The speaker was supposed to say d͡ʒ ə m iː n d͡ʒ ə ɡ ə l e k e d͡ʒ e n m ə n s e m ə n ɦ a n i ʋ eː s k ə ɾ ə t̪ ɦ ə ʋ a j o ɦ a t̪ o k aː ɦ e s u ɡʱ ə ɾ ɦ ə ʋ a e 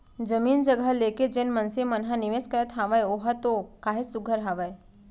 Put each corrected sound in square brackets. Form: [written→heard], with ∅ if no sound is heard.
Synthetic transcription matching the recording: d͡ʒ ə m iː n d͡ʒ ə ɡ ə l e k e d͡ʒ e n m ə n s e m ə n ɦ a n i ʋ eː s k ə ɾ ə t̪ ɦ [ə→a] ʋ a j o ɦ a t̪ o k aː ɦ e s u ɡʱ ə ɾ ɦ [ə→a] ʋ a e